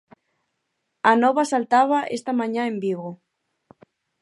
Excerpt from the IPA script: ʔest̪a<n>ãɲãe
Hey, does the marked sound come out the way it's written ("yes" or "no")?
no